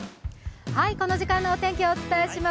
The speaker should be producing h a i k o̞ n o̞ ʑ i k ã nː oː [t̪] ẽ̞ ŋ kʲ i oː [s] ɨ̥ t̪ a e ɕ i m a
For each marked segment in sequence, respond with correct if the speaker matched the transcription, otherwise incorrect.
correct, incorrect: t͡s

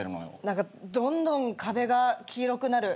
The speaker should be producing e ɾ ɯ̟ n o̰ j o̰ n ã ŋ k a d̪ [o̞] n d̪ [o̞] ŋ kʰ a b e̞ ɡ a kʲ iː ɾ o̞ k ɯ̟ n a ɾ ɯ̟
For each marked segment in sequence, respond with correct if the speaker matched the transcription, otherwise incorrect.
incorrect: õ̞, incorrect: õ̞

